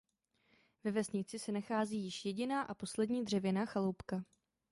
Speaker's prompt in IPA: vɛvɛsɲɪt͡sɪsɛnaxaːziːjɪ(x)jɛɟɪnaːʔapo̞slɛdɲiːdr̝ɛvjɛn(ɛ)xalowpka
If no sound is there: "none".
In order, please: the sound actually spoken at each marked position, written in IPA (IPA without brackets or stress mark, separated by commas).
ʃ, a